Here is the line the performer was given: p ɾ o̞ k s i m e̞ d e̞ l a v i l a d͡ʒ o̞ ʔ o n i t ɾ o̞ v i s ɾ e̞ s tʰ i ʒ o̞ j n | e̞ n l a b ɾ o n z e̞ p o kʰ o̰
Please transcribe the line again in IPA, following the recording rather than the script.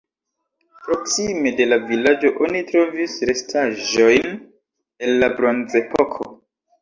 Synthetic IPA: p ɾ o̞ k s i m e̞ d e̞ l a v i l a d͡ʒ o̞ ʔ o n i t ɾ o̞ v i s ɾ e̞ s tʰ a ʒ o̞ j n | e̞ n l a b ɾ o n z e̞ p o kʰ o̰